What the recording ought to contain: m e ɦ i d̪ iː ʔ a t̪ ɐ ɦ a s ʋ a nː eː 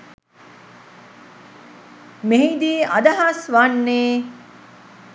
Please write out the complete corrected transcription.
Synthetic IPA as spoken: m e ɦ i d̪ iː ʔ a d̪ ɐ ɦ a s ʋ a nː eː